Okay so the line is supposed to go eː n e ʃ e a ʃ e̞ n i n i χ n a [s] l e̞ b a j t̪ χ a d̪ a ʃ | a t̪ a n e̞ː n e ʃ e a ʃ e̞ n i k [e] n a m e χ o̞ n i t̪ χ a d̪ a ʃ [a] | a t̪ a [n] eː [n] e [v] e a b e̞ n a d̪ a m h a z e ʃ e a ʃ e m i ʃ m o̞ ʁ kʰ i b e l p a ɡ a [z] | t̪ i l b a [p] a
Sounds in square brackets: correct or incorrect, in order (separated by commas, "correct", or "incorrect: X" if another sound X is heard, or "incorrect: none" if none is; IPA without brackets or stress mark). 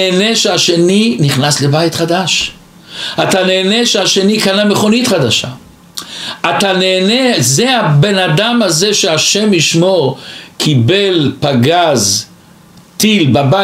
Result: correct, incorrect: a, correct, correct, correct, incorrect: z, correct, incorrect: b